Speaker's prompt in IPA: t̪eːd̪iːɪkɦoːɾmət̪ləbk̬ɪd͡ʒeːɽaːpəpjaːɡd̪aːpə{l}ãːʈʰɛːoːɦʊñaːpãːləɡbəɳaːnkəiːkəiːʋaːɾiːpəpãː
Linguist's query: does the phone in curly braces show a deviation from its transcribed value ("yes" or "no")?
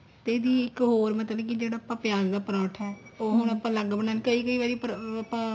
yes